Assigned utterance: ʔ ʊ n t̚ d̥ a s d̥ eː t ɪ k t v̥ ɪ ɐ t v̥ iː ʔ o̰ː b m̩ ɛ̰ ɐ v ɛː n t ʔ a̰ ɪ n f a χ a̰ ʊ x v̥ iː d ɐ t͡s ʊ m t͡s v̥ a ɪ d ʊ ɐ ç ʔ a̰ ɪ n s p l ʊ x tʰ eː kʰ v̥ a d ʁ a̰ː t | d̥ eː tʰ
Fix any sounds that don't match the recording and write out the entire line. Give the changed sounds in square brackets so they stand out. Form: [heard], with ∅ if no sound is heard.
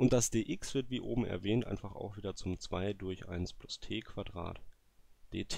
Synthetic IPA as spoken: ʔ ʊ n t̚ d̥ a s d̥ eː [ʔ] ɪ k [s] v̥ ɪ ɐ t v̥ iː ʔ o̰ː b m̩ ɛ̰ ɐ v ɛː n t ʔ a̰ ɪ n f a χ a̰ ʊ x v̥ iː d ɐ t͡s ʊ m t͡s v̥ a ɪ d ʊ ɐ ç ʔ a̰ ɪ n s p l ʊ [s] tʰ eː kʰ v̥ a d ʁ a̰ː t | d̥ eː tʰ